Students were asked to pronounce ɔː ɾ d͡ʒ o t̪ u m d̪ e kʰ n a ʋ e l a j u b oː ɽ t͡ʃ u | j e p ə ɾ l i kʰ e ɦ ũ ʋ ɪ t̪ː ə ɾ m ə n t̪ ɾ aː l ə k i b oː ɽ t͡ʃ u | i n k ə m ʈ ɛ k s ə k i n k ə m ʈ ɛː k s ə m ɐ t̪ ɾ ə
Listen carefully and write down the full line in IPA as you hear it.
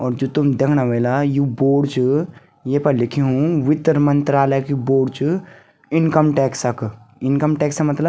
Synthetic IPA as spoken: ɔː ɾ d͡ʒ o t̪ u m d̪ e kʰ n a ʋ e l a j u b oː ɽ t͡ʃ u | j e p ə ɾ l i kʰ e ɦ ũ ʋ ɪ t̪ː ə ɾ m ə n t̪ ɾ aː l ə k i b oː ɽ t͡ʃ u | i n k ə m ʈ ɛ k s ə k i n k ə m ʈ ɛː k s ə m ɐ t̪ l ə

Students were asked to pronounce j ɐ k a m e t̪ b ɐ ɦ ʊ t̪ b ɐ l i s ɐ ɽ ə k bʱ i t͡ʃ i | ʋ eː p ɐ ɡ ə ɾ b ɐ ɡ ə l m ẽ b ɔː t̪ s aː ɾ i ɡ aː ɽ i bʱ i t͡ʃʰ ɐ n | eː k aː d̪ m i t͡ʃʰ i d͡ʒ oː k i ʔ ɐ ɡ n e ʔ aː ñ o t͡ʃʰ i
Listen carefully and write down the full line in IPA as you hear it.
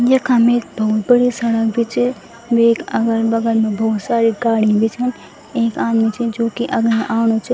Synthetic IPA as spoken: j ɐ k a m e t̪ b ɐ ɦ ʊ t̪ b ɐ ɽ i s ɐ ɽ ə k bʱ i t͡ʃ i | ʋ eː k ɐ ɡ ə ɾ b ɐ ɡ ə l m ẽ b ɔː t̪ s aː ɾ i ɡ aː ɽ i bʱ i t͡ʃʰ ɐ n | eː k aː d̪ m i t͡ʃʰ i d͡ʒ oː k i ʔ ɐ ɡ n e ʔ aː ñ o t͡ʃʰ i

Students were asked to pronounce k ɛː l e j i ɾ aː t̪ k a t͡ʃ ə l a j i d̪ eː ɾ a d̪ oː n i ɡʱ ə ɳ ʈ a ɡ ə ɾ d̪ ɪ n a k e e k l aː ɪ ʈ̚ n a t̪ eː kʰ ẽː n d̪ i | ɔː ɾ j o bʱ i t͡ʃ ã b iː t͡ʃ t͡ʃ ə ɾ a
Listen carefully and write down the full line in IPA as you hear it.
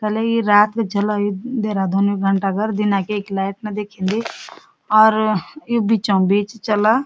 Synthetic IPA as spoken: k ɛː l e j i ɾ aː t̪ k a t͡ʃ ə l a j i d̪ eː ɾ a d̪ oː n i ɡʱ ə ɳ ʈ a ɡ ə ɾ d̪ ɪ n a k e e k l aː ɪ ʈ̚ n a d̪ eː kʰ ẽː n d̪ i | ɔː ɾ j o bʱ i t͡ʃ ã b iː t͡ʃ t͡ʃ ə l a

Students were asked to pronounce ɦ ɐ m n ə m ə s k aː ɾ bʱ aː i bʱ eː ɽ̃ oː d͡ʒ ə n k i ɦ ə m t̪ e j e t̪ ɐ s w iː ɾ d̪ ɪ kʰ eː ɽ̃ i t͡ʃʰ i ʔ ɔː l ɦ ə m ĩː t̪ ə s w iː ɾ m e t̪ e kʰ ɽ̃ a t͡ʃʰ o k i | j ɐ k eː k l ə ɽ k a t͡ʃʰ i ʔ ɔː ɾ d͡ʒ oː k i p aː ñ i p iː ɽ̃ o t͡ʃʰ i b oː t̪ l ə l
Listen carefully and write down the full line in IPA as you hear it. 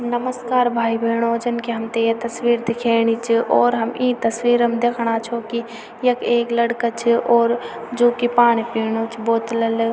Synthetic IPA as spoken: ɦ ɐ m n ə m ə s k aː ɾ bʱ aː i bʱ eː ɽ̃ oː d͡ʒ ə n k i ɦ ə m t̪ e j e t̪ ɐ s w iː ɾ d̪ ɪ kʰ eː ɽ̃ i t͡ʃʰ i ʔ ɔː ɾ ɦ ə m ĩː t̪ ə s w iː ɾ m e d̪ e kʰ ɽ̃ a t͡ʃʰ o k i | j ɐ k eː k l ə ɽ k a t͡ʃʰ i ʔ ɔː ɾ d͡ʒ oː k i p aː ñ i p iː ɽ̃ o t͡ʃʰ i b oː t̪ l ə l

